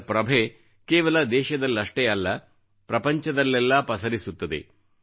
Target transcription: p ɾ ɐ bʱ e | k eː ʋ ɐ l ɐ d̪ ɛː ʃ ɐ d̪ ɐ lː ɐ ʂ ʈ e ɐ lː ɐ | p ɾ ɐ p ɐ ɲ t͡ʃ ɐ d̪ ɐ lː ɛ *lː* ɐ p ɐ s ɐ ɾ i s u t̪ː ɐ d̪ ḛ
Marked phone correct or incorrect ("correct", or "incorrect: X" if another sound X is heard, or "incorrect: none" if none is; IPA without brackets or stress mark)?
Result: correct